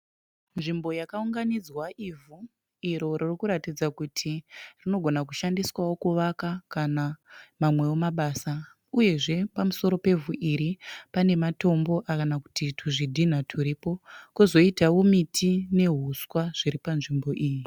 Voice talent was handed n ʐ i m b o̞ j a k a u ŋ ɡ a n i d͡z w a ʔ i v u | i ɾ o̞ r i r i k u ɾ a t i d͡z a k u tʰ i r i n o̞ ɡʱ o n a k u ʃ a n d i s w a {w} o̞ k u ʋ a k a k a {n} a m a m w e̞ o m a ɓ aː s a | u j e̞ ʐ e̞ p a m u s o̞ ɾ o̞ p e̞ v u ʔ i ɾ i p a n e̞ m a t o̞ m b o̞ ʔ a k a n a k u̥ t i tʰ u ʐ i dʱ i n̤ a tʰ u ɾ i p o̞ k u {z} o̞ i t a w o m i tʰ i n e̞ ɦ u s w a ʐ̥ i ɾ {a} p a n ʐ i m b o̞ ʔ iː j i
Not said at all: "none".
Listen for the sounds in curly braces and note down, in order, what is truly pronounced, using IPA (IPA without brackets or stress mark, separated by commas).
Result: w, n, z, i